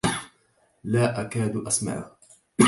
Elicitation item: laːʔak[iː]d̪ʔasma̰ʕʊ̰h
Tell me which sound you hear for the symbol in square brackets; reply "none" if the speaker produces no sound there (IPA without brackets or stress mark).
aː